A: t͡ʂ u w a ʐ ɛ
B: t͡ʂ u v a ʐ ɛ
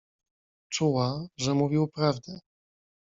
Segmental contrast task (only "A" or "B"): A